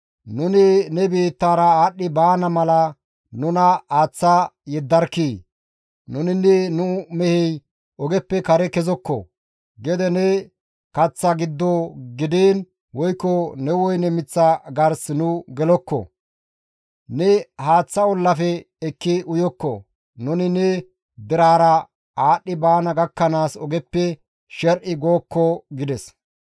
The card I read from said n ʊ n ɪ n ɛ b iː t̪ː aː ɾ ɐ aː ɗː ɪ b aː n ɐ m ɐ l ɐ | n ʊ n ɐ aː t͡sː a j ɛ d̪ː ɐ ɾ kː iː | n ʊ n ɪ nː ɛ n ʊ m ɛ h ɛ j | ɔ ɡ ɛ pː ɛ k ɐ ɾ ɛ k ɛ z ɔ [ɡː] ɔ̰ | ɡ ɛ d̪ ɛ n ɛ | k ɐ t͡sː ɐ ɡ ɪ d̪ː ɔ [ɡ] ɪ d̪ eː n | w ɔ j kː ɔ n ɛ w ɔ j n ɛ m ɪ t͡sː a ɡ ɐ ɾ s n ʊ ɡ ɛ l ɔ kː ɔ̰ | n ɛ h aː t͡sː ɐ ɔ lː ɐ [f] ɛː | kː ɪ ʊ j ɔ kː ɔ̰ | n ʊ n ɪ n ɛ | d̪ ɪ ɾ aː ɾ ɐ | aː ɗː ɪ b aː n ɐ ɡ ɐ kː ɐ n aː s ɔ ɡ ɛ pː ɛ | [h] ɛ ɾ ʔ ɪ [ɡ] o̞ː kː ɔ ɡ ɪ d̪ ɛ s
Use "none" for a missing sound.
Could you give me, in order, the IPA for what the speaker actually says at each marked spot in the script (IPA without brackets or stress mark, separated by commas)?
kː, ɡ, f, ʃ, ɡ